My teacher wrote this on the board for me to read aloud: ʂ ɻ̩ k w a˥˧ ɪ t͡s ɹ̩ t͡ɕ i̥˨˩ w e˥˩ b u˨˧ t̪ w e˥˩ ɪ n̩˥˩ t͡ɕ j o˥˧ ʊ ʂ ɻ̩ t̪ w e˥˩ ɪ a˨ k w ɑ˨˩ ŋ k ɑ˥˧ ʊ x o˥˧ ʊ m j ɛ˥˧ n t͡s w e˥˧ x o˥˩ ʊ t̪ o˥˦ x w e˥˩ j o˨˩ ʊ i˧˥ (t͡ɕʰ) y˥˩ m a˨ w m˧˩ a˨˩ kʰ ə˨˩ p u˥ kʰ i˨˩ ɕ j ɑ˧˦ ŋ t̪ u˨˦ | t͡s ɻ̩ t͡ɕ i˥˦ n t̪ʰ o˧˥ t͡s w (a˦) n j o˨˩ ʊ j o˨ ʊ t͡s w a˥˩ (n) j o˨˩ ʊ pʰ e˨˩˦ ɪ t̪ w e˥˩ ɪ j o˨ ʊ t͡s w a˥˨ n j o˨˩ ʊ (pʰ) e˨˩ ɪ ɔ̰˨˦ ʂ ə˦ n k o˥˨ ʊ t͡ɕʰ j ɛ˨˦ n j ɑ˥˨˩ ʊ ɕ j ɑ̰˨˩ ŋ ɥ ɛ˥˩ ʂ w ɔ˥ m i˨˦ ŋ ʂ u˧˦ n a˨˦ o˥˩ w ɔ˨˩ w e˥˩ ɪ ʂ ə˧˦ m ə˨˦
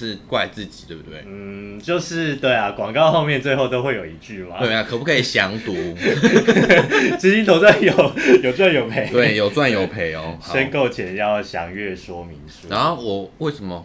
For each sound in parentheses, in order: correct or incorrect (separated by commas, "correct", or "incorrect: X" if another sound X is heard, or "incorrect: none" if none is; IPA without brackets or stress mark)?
incorrect: t͡ɕ, incorrect: a˥˨, correct, correct